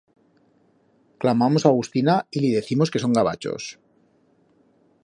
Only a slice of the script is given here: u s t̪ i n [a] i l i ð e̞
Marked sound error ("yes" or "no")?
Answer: no